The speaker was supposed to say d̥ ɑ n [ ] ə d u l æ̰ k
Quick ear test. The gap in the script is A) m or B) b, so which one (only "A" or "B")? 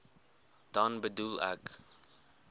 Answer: B